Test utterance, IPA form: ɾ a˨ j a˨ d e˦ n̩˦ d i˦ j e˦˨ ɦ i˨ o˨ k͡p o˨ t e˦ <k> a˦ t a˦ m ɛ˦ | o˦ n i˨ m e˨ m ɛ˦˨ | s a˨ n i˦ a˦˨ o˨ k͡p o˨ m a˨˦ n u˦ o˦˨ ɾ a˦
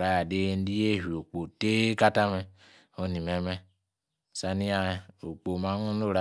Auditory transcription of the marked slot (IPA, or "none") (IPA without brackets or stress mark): k